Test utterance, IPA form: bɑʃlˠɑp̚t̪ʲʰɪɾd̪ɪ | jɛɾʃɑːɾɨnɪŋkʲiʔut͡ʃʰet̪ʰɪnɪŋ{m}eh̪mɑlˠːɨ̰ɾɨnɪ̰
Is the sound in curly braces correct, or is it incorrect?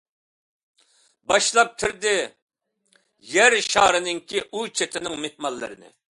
correct